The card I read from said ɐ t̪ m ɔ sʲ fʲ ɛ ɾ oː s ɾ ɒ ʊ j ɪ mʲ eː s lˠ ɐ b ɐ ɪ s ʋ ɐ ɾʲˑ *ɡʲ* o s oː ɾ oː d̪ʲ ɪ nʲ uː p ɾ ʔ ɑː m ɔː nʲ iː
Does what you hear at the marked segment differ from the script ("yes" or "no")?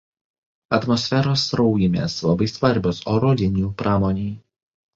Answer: yes